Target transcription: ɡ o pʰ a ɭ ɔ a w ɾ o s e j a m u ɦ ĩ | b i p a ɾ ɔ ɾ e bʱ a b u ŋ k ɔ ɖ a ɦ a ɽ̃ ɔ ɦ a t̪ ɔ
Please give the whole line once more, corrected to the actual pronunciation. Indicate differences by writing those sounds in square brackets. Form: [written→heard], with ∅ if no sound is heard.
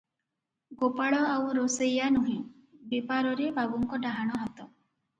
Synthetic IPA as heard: ɡ o [pʰ→p] a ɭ ɔ a w ɾ o s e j a [m→n] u ɦ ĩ | b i p a ɾ ɔ ɾ e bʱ a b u ŋ k ɔ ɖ a ɦ a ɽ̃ ɔ ɦ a t̪ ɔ

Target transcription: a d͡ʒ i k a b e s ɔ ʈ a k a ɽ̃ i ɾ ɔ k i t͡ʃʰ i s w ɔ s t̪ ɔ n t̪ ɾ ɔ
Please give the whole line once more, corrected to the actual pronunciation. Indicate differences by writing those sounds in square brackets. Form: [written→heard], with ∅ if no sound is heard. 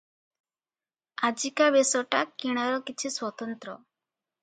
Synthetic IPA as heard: a d͡ʒ i k a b e s ɔ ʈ a k [a→i] ɽ̃ [i→a] ɾ ɔ k i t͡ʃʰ i s w ɔ [s→∅] t̪ ɔ n t̪ ɾ ɔ

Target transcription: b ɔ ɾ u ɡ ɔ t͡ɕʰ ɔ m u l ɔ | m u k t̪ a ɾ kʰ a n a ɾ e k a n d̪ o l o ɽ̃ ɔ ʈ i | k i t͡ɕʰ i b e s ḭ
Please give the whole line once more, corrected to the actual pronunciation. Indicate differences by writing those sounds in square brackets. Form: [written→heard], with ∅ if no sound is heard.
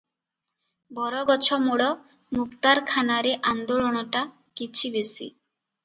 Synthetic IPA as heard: b ɔ ɾ [u→ɔ] ɡ ɔ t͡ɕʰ ɔ m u [l→ɽ] ɔ | m u k t̪ a ɾ kʰ a n a ɾ e [k→ʔ] a n d̪ o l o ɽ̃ ɔ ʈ [i→a] | k i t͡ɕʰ i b e s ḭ

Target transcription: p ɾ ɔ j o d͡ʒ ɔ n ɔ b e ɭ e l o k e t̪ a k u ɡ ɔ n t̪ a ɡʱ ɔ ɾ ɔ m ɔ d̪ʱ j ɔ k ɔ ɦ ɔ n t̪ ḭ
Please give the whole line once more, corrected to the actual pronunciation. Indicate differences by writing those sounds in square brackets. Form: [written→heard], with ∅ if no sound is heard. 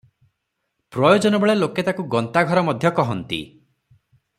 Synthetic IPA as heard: p ɾ ɔ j o d͡ʒ ɔ n ɔ b e ɭ e l o k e t̪ a k u ɡ ɔ n t̪ a ɡʱ ɔ ɾ ɔ m ɔ d̪ʱ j ɔ k ɔ ɦ ɔ n t̪ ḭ

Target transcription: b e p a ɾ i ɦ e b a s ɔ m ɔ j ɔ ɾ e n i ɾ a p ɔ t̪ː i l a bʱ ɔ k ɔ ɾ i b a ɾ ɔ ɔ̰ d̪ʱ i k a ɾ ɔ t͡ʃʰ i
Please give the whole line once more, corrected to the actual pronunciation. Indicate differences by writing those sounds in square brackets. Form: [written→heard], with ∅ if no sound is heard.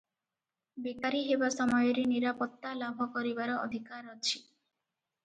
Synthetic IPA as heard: b e [p→k] a ɾ i ɦ e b a s ɔ m ɔ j ɔ ɾ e n i ɾ a p ɔ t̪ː [i→a] l a bʱ ɔ k ɔ ɾ i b a ɾ ɔ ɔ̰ d̪ʱ i k a ɾ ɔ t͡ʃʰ i

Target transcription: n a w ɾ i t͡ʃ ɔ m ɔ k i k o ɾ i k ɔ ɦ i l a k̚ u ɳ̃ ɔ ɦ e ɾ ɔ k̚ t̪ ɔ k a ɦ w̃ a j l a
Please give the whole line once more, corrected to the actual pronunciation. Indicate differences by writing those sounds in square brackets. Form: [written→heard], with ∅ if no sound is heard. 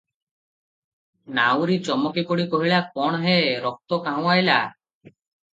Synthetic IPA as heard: n a w ɾ i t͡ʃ ɔ m ɔ k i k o [ɾ→ɽ] i k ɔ ɦ i [l→ɭ] a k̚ [u→ɔ] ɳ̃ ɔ ɦ e ɾ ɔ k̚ t̪ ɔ k a ɦ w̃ a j l a

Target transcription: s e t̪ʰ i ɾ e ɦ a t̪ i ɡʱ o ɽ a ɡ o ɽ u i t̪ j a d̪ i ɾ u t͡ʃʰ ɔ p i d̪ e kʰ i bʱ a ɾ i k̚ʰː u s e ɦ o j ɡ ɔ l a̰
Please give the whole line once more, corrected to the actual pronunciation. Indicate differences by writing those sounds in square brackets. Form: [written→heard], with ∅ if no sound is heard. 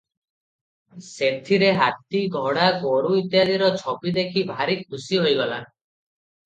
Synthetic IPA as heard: s e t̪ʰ i ɾ e ɦ a t̪ i ɡʱ [o→ɔ] ɽ a ɡ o ɽ u i t̪ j a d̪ i ɾ [u→ɔ] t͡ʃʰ ɔ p i d̪ e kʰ i bʱ a ɾ i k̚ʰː u s [e→i] ɦ o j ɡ ɔ l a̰

